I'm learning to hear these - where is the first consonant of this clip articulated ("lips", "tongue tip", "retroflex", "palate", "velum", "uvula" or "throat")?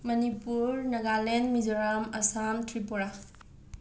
lips